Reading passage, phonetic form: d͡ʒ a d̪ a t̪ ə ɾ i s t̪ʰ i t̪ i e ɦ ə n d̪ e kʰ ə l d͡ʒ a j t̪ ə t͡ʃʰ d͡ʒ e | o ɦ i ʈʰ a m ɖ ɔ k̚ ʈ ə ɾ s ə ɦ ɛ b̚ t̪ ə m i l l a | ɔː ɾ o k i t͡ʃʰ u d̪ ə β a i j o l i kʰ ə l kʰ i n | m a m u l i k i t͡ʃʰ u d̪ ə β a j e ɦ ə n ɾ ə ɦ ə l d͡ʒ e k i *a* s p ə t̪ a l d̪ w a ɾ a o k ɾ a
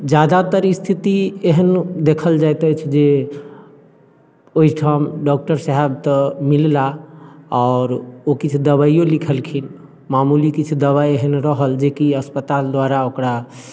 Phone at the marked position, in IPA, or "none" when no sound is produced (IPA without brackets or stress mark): ə